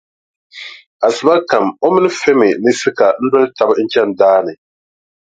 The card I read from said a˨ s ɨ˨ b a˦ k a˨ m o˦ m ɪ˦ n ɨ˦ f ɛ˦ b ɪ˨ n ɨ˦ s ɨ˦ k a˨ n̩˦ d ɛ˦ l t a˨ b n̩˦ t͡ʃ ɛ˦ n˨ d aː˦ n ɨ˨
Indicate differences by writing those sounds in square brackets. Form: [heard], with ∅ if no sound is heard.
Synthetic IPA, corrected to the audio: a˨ s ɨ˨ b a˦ k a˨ m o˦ m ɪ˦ n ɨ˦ f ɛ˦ [m] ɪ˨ n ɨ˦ s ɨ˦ k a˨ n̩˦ d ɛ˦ l t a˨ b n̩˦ t͡ʃ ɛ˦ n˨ d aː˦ n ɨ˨